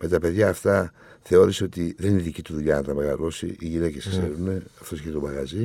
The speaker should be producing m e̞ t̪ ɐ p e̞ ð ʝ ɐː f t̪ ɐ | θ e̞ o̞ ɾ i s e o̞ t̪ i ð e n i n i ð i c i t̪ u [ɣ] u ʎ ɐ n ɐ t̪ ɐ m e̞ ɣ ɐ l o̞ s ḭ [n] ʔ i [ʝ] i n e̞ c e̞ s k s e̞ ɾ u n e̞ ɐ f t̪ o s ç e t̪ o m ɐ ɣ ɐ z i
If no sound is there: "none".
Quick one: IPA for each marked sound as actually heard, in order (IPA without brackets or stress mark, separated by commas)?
ð, none, ʝ